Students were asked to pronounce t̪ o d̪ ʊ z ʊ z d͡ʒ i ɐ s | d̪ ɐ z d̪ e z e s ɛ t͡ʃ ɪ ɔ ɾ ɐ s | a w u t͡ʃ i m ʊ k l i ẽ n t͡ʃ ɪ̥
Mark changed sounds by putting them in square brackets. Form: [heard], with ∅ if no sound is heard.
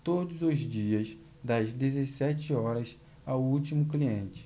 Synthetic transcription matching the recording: t̪ o d̪ ʊ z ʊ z d͡ʒ i ɐ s | d̪ ɐ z d̪ e z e s ɛ t͡ʃ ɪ ɔ ɾ ɐ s | a w u t͡ʃ i m ʊ k l i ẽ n t͡ʃ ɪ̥